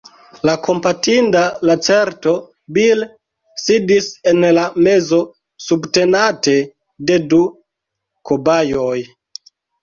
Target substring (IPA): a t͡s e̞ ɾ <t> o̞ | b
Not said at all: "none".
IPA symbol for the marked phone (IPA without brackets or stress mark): t